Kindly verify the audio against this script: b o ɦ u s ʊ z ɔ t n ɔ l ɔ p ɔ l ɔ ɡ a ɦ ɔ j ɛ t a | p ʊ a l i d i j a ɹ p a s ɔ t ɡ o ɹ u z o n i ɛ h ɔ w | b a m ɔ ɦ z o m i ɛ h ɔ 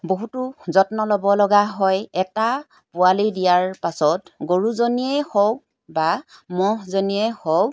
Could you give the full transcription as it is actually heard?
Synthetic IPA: b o ɦ u t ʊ z ɔ t n ɔ l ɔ b ɔ l ɔ ɡ a ɦ ɔ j ɛ t a | p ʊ a l i d i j a ɹ p a s ɔ t ɡ o ɹ u z o n i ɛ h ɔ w | b a m ɔ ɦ z o n i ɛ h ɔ

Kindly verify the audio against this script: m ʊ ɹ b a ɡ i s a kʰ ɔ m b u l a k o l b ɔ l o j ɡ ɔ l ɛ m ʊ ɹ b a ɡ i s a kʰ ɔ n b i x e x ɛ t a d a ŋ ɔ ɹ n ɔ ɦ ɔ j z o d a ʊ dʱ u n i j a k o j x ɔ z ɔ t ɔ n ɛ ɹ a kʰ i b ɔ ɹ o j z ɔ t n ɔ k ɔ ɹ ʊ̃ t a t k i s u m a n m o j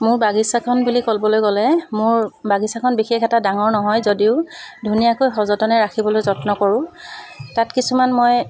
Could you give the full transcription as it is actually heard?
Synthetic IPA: m ʊ ɹ b a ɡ i s a kʰ ɔ n b u l i k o l b ɔ l o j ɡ ɔ l ɛ m ʊ ɹ b a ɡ i s a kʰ ɔ n b i x e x ɛ t a d a ŋ ɔ ɹ n ɔ ɦ ɔ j z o d i ʊ dʱ u n i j a k o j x ɔ z ɔ t ɔ n ɛ ɹ a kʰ i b ɔ l o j z ɔ t n ɔ k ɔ ɹ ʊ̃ t a t k i s u m a n m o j

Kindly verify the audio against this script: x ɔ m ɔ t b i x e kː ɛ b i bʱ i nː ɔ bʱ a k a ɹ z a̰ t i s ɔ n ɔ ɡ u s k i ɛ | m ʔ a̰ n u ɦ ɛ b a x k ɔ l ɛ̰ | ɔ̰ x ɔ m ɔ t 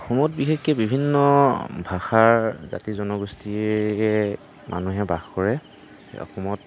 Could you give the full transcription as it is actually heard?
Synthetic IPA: x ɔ m ɔ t b i x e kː ɛ b i bʱ i nː ɔ bʱ a x a ɹ z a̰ t i z ɔ n ɔ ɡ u s t i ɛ | m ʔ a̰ n u ɦ ɛ b a x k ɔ ɹ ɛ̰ | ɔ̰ x ɔ m ɔ t

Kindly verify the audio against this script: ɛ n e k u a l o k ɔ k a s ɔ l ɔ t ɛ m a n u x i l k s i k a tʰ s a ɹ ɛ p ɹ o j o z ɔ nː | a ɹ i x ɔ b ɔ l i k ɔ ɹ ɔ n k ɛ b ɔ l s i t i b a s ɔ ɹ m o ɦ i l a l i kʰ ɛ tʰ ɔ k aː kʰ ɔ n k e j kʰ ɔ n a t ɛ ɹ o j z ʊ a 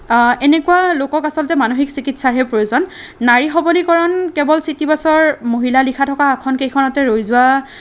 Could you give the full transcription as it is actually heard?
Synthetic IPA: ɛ n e k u a l o k ɔ k a s ɔ l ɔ t ɛ m a n o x i k s i k i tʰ s a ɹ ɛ p ɹ o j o z ɔ nː | a ɹ i x ɔ b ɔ l i k ɔ ɹ ɔ n k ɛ b ɔ l s i t i b a s ɔ ɹ m o ɦ i l a l i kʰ a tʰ ɔ k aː kʰ ɔ n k e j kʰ ɔ n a t ɛ ɹ o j z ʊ a

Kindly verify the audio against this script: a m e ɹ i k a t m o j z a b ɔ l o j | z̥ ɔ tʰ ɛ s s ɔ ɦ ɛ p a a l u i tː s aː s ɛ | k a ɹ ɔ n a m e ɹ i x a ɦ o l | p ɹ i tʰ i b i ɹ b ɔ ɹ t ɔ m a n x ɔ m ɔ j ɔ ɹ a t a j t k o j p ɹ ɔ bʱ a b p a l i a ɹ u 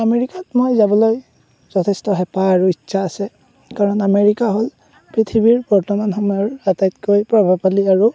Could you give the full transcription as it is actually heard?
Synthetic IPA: a m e ɹ i k a t m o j z a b ɔ l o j | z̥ ɔ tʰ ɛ s t ɔ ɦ ɛ p a a ɹ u i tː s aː s ɛ | k a ɹ ɔ n a m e ɹ i k a ɦ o l | p ɹ i tʰ i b i ɹ b ɔ ɹ t ɔ m a n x ɔ m ɔ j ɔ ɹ a t a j t k o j p ɹ ɔ bʱ a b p a l i a ɹ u

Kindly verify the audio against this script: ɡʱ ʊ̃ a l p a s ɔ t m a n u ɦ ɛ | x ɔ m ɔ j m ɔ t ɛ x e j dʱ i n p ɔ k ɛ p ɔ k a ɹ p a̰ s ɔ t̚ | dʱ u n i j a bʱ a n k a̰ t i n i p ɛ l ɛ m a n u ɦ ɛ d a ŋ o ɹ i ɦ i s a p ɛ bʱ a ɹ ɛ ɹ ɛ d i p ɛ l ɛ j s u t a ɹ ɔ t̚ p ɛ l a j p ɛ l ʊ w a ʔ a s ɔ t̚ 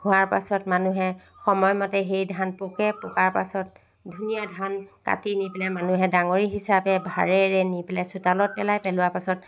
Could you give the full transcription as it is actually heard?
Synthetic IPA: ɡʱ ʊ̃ a ɹ p a s ɔ t m a n u ɦ ɛ | x ɔ m ɔ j m ɔ t ɛ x e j dʱ a n p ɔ k ɛ p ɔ k a ɹ p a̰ s ɔ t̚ | dʱ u n i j a dʱ a n k a̰ t i n i p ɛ l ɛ m a n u ɦ ɛ d a ŋ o ɹ i ɦ i s a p ɛ bʱ a ɹ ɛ ɹ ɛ n i p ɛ l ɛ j s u t a l ɔ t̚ p ɛ l a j p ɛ l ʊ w a p a s ɔ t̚

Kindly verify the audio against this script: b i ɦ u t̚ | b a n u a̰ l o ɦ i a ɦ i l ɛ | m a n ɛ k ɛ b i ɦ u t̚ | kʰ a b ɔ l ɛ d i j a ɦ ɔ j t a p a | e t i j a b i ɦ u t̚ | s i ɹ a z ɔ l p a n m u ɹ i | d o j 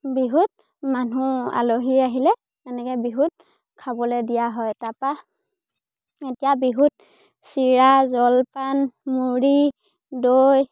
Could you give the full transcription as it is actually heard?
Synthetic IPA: b i ɦ u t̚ | m a n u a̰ l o ɦ i a ɦ i l ɛ | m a n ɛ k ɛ b i ɦ u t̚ | kʰ a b ɔ l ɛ d i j a ɦ ɔ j t a p a | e t i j a b i ɦ u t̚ | s i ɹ a z ɔ l p a n m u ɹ i | d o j

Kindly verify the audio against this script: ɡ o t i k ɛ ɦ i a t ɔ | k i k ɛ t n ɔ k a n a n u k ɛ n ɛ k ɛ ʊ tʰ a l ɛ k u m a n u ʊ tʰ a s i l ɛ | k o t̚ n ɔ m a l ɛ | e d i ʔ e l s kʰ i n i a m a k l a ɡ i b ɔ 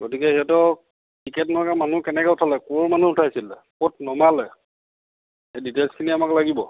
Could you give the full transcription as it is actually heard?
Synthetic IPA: ɡ o t i k ɛ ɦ i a t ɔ | k i k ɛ t n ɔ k a m a n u k ɛ n ɛ k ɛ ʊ tʰ a l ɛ k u m a n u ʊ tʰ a s i l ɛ | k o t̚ n ɔ m a l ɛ | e d i t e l s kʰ i n i a m a k l a ɡ i b ɔ

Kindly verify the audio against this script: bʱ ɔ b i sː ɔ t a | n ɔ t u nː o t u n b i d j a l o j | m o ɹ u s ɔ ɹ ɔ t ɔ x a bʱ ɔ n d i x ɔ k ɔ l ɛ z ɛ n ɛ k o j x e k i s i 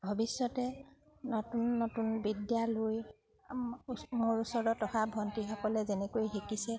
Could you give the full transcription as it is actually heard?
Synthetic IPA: bʱ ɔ b i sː ɔ t ɛ | n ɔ t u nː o t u n b i d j a l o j | m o ɹ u s ɔ ɹ ɔ t ɔ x a bʱ ɔ n t i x ɔ k ɔ l ɛ z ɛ n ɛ k o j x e k i s ɛ

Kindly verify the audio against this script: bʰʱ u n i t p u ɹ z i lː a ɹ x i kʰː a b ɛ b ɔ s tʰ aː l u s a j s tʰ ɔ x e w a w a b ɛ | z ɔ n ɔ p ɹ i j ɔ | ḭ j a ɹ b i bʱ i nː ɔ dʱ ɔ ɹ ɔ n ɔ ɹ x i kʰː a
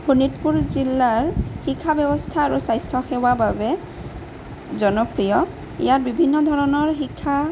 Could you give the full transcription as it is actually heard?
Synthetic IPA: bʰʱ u n i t p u ɹ z i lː a ɹ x i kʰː a b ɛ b ɔ s tʰ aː ɹ u s a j s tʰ ɔ x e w a b a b ɛ | z ɔ n ɔ p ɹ i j ɔ | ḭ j a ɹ b i bʱ i nː ɔ dʱ ɔ ɹ ɔ n ɔ ɹ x i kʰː a

